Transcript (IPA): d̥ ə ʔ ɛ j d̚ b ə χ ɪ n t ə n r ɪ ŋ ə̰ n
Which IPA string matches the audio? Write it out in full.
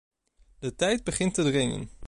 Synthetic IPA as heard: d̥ ə t ɛ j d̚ b ə χ ɪ n t ə d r ɪ ŋ ə̰ n